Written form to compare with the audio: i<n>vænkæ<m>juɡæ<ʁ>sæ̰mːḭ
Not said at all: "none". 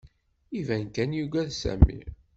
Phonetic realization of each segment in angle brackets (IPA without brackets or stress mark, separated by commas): none, n, ð